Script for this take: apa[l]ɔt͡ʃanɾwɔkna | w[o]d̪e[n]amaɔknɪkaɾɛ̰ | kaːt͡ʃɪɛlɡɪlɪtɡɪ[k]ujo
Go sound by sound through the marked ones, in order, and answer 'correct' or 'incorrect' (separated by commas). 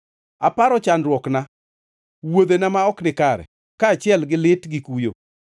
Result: incorrect, correct, correct, correct